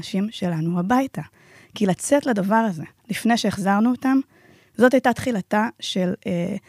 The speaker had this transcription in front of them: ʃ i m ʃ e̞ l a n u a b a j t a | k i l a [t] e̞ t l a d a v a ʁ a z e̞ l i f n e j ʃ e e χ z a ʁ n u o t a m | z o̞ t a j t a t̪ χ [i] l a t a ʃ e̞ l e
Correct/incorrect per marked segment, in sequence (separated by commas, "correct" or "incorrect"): incorrect, correct